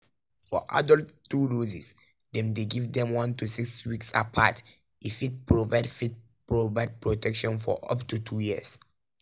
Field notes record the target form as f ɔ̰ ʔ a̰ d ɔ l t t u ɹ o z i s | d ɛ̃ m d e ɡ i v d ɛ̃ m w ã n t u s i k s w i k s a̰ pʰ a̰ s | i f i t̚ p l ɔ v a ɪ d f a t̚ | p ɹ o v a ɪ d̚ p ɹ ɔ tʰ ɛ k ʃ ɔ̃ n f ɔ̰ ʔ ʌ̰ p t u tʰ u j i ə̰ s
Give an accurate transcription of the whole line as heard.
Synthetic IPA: f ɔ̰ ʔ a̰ d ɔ l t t u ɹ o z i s | d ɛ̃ m d e ɡ i v d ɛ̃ m w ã n t u s i k s w i k s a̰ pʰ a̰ t | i f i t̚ p ɹ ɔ v a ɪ d f i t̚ | p ɹ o v a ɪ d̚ p ɹ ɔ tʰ ɛ k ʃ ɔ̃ n f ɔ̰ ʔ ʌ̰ p t u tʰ u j i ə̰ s

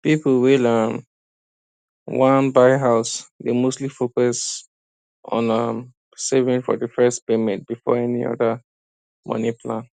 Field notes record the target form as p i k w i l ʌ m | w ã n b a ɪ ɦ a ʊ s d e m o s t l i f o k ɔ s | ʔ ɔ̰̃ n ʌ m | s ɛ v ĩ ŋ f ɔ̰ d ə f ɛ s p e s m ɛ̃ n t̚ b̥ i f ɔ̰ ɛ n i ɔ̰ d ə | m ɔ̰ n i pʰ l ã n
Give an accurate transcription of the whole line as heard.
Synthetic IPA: p i p w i l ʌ m | w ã n b a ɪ ɦ a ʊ s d e m o s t l i f o k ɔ s | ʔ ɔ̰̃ n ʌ m | s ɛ v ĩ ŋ f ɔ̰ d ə f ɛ s p e m ɛ̃ n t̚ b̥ i f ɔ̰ ɛ n i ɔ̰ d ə | m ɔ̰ n i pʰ l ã n

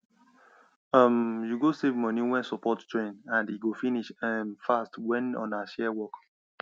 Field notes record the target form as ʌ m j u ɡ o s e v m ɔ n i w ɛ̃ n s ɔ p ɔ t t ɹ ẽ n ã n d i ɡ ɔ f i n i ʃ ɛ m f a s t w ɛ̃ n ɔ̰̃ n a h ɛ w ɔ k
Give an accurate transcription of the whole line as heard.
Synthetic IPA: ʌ m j u ɡ o s e v m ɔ n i w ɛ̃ n s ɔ p ɔ t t ɹ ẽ n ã n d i ɡ o f i n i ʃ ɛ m f a s t w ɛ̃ n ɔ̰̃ n a ʃ ɛ w ɔ k

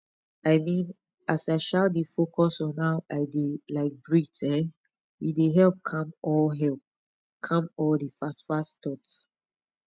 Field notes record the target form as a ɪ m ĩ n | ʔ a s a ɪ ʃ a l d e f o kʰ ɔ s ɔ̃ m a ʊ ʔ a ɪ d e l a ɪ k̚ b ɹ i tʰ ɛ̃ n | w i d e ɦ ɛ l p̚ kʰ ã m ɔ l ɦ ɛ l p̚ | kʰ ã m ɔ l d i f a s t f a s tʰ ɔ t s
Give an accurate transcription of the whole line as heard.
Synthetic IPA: a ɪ m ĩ n | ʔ a s a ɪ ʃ a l d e f o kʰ ɔ s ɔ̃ n a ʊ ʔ a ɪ d e l a ɪ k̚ b ɹ i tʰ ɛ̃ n | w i d e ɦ ɛ l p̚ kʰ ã m ɔ l ɦ ɛ l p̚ | kʰ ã m ɔ l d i f a s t f a s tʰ ɔ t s

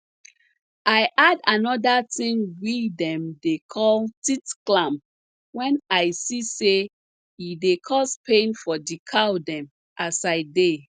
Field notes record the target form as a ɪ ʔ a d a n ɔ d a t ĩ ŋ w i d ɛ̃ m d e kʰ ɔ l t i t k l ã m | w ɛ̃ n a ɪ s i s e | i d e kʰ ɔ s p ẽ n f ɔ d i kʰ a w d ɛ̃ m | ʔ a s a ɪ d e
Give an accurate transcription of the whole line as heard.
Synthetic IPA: a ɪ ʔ a d a n ɔ d a t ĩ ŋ w i d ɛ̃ m d e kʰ ɔ l t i t k l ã m | w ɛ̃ n a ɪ s i s e | i d e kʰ ɔ s p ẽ n f ɔ d i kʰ a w d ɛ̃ m | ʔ a s a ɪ d e

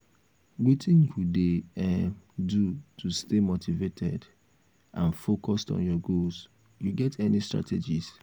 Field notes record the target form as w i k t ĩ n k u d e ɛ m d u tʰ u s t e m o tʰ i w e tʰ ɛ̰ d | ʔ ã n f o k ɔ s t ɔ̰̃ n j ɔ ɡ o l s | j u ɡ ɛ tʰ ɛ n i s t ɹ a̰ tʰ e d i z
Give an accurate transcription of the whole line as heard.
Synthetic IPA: w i t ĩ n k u d e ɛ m d u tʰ u s t e m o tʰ i v e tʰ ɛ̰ d | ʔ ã n f o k ɔ s t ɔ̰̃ n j ɔ ɡ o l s | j u ɡ ɛ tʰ ɛ n i s t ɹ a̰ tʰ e d͡ʒ i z

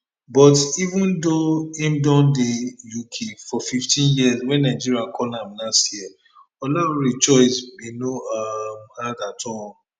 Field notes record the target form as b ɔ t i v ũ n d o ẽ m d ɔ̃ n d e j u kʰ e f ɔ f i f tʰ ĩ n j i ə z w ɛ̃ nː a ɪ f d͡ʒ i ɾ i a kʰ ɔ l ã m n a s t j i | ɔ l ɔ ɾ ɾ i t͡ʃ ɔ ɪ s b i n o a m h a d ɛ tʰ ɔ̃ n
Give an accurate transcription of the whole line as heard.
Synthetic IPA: b ɔ t i v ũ n d o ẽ m d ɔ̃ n d e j u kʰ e f ɔ f i f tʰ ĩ n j i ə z w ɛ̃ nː a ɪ d͡ʒ i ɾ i a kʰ ɔ l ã m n a s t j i | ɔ l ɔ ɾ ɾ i t͡ʃ ɔ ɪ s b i n o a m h a d a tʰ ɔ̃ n

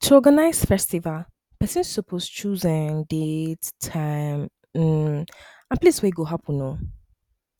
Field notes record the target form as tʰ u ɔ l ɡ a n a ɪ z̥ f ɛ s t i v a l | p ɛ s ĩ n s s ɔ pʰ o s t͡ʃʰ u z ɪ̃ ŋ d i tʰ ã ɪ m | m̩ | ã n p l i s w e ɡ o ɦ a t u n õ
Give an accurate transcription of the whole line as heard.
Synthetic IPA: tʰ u ɔ ɡ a n a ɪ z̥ f ɛ s t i v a l | p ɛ s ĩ n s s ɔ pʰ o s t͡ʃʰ u z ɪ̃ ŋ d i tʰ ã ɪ m | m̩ | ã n p l i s w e ɡ o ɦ a p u n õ

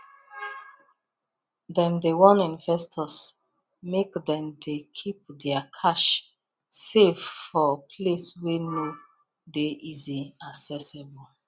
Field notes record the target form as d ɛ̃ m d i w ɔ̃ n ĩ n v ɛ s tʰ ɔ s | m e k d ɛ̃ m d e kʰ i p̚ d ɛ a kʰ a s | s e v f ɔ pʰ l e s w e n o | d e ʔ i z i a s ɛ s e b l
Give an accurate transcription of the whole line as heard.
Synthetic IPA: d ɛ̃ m d e w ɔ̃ n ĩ n v ɛ s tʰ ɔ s | m e k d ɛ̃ m d e kʰ i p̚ d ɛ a kʰ a ʃ | s e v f ɔ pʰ l e s w e n o | d e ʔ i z i a s ɛ s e b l

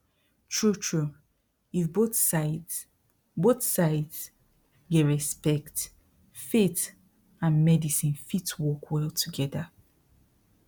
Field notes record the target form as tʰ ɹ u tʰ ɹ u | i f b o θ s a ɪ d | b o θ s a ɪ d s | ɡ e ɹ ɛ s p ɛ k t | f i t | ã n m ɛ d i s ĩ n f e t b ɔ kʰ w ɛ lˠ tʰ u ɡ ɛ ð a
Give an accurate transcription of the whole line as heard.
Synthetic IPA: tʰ ɹ u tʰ ɹ u | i f b o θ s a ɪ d | b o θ s a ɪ d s | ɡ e ɹ ɛ s p ɛ k t | f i t | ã n m ɛ d i s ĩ n f i t w ɔ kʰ w ɛ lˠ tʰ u ɡ ɛ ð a

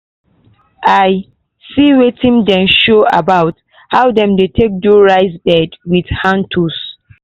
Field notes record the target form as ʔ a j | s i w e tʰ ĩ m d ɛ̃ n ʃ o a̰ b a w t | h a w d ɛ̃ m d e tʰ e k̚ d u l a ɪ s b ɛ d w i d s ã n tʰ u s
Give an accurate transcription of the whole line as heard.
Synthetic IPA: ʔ a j | s i w e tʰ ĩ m d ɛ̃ n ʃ o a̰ b a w t | h a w d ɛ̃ m d e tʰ e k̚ d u ɹ a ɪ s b ɛ d w i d h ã n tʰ u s

